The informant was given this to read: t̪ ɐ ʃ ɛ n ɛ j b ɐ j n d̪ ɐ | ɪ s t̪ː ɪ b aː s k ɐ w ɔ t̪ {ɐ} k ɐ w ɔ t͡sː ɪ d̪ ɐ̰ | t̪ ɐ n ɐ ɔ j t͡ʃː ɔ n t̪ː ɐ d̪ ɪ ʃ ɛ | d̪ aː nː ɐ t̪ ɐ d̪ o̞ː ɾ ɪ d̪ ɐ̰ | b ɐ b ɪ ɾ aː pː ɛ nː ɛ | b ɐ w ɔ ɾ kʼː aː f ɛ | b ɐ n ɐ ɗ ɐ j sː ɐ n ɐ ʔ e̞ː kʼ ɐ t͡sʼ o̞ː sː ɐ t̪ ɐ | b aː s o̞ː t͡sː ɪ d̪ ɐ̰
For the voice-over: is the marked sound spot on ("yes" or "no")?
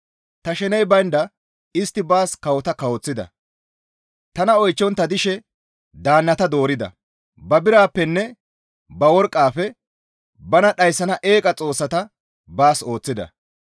yes